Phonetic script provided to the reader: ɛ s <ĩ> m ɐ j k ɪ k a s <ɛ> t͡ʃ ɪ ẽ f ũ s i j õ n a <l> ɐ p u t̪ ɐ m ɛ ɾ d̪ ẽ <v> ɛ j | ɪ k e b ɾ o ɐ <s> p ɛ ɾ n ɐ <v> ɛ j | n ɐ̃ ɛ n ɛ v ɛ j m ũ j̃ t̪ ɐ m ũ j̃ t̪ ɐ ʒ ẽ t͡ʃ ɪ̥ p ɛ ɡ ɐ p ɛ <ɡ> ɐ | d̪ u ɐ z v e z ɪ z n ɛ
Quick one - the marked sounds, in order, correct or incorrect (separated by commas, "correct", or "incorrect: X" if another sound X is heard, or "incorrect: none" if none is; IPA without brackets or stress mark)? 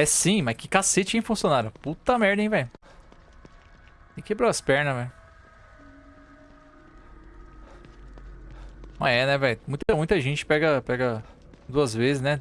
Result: correct, incorrect: e, incorrect: ɾ, correct, correct, correct, correct